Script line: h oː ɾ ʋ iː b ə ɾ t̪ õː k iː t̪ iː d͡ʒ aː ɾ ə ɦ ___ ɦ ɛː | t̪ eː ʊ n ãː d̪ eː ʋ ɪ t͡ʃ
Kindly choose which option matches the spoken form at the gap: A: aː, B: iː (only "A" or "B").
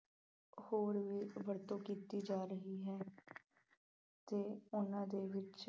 B